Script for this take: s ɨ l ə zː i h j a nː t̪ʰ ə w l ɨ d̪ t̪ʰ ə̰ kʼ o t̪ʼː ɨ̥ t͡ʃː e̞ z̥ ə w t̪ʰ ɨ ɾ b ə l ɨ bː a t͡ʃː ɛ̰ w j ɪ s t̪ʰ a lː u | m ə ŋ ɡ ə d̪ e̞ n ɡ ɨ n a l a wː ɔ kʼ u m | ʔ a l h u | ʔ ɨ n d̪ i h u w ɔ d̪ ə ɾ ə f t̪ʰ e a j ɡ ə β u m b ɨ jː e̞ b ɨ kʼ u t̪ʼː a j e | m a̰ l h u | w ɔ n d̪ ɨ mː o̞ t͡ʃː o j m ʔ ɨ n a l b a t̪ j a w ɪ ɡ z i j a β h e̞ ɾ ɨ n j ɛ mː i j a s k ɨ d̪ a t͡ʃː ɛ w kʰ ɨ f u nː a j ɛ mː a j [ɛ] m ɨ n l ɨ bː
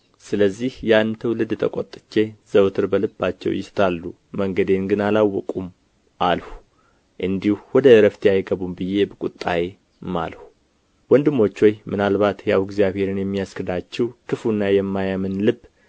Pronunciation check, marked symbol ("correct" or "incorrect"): incorrect